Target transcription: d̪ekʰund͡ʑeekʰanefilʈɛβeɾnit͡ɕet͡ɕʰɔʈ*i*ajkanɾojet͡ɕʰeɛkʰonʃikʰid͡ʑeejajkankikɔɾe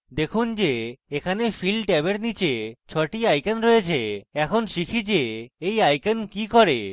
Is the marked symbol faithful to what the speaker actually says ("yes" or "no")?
yes